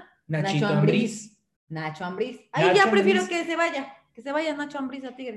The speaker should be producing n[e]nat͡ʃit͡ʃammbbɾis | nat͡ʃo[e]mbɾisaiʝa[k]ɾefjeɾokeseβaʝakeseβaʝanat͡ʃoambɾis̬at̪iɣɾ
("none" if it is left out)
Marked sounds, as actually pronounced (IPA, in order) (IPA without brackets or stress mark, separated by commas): a, a, p